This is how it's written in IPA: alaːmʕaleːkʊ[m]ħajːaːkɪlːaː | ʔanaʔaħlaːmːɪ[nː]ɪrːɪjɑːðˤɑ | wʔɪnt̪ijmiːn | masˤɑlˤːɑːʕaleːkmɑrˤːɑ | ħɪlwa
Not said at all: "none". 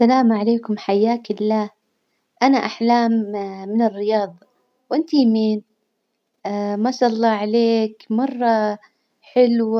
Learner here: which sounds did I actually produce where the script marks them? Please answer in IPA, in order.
m, n

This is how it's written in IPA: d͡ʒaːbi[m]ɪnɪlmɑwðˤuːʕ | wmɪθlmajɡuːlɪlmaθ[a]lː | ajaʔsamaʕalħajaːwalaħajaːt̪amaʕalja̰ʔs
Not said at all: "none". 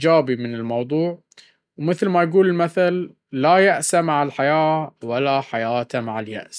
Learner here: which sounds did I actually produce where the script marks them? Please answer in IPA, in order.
m, a

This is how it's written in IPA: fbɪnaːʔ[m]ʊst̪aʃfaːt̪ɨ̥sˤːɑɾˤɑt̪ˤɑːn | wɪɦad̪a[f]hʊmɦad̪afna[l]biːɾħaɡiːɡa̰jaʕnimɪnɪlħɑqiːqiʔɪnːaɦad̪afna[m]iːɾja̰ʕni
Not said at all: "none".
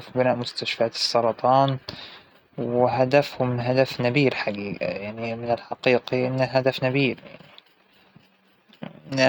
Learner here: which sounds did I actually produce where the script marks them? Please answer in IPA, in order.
m, f, none, b

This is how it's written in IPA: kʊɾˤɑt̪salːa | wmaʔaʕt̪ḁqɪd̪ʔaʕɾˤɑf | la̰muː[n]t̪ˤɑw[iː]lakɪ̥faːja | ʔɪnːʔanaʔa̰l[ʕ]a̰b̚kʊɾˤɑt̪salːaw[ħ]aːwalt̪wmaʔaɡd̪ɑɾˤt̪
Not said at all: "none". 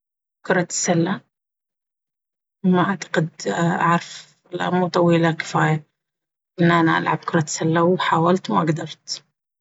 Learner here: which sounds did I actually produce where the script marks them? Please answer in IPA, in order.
none, iː, ʕ, ħ

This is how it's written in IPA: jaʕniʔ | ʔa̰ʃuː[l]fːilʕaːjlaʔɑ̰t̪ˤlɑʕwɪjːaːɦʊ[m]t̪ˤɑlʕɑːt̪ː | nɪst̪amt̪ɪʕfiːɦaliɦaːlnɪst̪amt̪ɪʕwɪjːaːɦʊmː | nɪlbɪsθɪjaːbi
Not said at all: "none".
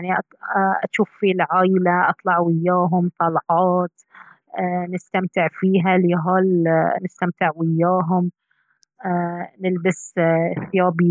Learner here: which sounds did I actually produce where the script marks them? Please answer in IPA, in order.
none, m

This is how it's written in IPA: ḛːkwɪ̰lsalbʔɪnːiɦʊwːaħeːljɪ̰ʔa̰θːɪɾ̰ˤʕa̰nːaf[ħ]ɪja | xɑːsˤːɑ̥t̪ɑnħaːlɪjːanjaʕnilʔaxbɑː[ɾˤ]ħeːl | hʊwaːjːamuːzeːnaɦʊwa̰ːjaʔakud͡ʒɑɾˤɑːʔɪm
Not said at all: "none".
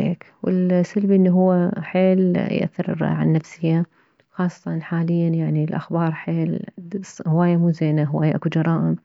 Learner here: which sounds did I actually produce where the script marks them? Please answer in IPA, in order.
s, ɾˤ

